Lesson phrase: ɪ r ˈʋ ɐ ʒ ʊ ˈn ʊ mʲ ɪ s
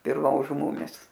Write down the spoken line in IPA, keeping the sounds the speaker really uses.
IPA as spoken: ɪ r ˈʋ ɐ ʒ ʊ ˈm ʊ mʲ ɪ s